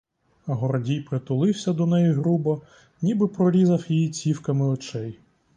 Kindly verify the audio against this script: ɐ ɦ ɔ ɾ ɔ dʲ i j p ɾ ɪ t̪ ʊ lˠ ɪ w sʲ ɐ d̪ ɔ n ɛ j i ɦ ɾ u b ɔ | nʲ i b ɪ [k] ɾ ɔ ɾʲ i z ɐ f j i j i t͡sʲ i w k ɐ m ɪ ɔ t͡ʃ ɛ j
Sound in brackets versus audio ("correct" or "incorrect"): incorrect